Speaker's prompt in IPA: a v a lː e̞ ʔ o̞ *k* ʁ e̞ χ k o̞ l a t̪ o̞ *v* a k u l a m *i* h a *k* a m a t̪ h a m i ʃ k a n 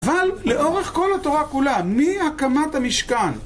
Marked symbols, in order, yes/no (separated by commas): no, no, yes, yes